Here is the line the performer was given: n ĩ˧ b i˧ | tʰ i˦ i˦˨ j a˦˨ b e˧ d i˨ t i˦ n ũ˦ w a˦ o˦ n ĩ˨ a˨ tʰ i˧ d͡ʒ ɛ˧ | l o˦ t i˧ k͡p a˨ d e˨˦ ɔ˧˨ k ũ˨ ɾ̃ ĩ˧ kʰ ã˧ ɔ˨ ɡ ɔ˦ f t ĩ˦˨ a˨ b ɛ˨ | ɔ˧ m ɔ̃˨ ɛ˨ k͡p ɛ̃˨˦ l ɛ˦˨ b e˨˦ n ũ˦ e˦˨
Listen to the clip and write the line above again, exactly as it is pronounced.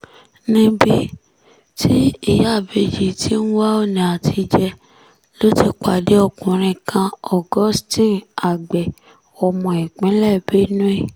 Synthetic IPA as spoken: n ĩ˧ b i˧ | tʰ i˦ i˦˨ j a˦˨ b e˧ d͡ʒ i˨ t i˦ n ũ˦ w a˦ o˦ n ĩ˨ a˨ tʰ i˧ d͡ʒ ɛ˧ | l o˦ t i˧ k͡p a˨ d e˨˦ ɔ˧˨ k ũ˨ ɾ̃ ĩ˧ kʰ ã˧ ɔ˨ ɡ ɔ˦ s t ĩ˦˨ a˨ ɡ͡b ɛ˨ | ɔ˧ m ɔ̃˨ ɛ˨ k͡p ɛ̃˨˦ l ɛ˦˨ b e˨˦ n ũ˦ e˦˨

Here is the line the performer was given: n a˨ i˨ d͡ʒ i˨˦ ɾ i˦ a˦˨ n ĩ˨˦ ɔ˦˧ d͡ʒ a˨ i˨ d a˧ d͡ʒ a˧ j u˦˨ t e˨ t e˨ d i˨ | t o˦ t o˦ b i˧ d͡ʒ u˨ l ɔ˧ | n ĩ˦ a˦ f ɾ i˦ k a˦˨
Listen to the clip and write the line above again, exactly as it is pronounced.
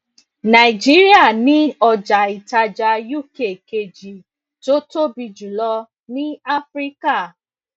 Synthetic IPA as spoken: n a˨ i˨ d͡ʒ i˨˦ ɾ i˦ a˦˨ n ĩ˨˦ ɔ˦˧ d͡ʒ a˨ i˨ t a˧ d͡ʒ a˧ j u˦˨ k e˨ k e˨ d͡ʒ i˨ | t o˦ t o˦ b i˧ d͡ʒ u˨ l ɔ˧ | n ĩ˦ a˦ f ɾ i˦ k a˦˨

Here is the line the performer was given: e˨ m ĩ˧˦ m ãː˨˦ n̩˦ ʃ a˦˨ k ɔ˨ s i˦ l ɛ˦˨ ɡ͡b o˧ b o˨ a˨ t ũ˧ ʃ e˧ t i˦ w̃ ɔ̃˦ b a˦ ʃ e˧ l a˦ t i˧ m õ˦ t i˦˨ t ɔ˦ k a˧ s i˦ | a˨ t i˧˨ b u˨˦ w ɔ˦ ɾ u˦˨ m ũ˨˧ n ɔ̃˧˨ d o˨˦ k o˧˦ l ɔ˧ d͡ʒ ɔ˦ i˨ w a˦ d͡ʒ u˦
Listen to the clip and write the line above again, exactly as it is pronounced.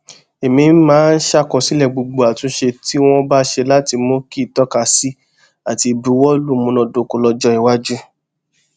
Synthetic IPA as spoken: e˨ m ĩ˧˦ m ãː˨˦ n̩˦ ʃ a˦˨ k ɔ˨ s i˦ l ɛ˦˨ ɡ͡b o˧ ɡ͡b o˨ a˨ t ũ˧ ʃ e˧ t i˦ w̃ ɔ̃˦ b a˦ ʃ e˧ l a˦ t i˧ m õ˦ k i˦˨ t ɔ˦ k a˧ s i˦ | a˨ t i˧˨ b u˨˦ w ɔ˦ l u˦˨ m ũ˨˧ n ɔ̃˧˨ d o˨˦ k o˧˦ l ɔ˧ d͡ʒ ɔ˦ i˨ w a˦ d͡ʒ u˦

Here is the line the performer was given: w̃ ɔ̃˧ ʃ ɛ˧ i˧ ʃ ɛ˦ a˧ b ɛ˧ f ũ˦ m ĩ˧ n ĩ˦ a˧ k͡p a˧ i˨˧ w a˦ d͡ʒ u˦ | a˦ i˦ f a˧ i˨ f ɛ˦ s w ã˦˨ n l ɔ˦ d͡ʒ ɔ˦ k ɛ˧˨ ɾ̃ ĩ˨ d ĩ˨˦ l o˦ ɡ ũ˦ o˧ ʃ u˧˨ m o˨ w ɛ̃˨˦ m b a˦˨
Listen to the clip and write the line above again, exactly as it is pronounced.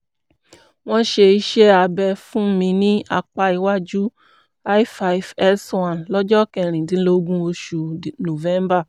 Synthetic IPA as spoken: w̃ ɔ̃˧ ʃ e˧ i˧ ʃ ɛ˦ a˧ b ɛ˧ f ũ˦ m ĩ˧ n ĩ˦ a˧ k͡p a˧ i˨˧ w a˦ d͡ʒ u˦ | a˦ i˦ f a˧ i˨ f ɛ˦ s w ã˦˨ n l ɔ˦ d͡ʒ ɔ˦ k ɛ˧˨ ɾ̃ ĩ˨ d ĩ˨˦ l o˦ ɡ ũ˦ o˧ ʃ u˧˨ n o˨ v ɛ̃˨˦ m b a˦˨

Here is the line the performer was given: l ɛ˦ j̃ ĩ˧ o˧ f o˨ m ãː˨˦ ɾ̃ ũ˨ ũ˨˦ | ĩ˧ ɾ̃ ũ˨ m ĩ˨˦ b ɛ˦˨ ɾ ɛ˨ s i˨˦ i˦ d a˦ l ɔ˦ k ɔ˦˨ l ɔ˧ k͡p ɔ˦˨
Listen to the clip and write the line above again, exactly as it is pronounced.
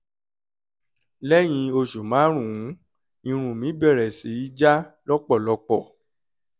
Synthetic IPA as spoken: l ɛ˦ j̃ ĩ˧ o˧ ʃ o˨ m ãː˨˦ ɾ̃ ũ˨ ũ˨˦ | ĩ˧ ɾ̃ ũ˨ m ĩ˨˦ b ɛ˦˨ ɾ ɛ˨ s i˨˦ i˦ d͡ʒ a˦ l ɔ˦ k͡p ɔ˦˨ l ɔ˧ k͡p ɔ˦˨

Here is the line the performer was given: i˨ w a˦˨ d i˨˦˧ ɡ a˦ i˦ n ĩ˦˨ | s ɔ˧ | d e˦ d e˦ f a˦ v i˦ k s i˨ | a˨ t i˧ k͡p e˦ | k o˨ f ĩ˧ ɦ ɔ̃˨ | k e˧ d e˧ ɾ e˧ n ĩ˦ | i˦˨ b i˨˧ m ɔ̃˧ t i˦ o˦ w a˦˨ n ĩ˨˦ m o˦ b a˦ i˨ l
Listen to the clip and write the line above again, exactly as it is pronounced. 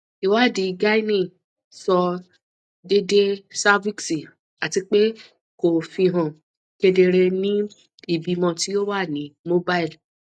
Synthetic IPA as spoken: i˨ w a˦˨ d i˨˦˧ ɡ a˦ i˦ n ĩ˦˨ | s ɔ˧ | d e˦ d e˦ s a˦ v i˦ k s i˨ | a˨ t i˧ k͡p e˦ | k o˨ f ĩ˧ ɦ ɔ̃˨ | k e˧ d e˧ ɾ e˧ n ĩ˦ | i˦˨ b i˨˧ m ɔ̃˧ t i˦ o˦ w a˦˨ n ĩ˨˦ m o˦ b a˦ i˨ l

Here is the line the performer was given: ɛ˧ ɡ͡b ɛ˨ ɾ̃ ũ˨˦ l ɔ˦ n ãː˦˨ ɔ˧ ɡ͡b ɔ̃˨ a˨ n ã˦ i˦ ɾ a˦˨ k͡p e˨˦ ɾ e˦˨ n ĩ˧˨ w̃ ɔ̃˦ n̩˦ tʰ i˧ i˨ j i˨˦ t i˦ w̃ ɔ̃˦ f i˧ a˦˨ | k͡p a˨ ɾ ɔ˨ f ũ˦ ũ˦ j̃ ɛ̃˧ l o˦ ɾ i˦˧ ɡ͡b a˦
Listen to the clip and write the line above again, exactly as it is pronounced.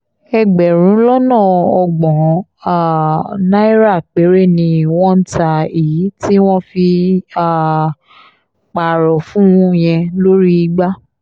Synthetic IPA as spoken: ɛ˧ ɡ͡b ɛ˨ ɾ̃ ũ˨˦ l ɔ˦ n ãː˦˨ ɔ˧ ɡ͡b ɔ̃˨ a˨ n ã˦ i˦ ɾ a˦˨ k͡p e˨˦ ɾ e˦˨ n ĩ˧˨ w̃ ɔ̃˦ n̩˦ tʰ a˧ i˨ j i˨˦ t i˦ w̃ ɔ̃˦ f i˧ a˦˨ | k͡p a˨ ɾ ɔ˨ f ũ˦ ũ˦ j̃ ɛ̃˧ l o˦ ɾ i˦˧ ɡ͡b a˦

